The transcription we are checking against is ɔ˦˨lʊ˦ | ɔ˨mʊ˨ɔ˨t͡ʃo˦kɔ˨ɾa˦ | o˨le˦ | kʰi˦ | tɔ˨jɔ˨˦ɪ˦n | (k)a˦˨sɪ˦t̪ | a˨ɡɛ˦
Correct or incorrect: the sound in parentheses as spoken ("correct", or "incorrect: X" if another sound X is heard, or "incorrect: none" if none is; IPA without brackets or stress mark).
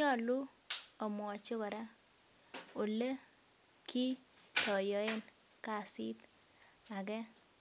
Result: correct